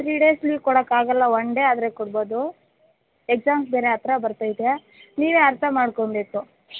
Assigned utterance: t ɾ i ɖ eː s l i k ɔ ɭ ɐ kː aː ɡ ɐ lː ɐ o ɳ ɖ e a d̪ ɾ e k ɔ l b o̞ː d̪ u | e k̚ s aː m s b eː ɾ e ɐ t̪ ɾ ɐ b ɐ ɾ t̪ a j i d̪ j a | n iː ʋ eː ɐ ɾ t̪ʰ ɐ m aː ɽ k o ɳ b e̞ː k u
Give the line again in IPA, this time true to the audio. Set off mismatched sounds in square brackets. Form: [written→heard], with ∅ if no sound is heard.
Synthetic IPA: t ɾ i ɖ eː s l i k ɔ [ɭ→ɽ] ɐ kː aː ɡ ɐ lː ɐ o ɳ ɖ e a d̪ ɾ e k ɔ [l→ɽ] b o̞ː d̪ u | e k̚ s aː m s b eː ɾ e ɐ t̪ ɾ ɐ b ɐ ɾ t̪ a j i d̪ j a | n iː ʋ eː ɐ ɾ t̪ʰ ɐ m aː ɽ k o ɳ b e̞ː k u